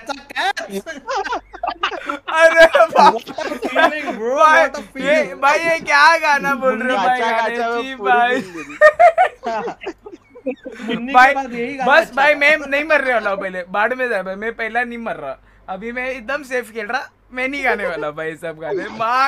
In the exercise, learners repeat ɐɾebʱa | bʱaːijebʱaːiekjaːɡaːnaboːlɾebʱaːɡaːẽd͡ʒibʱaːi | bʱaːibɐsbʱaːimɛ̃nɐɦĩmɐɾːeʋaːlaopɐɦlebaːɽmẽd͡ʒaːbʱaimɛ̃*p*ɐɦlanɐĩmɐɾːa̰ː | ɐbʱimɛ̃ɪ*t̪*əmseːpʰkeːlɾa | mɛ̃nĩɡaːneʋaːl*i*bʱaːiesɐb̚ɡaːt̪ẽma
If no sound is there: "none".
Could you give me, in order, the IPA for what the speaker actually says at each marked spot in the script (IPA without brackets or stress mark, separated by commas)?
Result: p, d̪, a